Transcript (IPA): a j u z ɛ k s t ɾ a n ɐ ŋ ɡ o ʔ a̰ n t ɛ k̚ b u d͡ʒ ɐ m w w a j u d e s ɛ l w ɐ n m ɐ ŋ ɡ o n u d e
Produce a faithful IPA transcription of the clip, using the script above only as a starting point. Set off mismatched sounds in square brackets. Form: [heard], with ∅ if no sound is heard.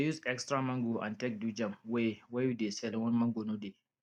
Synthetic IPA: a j u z ɛ k s t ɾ a [m] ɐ ŋ ɡ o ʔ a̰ n t ɛ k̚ [d] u d͡ʒ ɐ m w w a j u d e s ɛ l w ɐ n m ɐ ŋ ɡ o n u d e